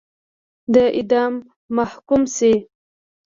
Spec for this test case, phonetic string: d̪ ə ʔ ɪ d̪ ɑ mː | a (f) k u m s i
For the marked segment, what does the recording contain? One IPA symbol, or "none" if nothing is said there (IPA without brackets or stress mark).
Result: h